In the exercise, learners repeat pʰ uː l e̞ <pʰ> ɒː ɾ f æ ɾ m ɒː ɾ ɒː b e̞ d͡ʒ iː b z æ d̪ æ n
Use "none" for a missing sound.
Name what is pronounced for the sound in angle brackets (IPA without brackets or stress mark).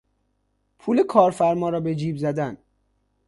kʰ